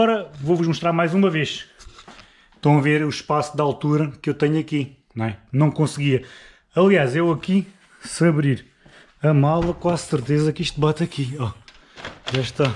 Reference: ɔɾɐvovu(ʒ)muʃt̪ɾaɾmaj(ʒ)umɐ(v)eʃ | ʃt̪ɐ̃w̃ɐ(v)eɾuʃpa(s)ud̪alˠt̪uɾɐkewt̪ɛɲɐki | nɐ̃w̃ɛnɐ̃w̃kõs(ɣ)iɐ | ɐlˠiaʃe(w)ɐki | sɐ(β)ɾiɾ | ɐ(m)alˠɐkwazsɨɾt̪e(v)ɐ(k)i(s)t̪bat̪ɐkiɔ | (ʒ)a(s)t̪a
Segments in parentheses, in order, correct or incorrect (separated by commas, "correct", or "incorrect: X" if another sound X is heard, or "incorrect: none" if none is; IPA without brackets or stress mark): correct, incorrect: z, correct, correct, correct, correct, correct, correct, correct, incorrect: z, correct, incorrect: ʃ, correct, incorrect: ʃ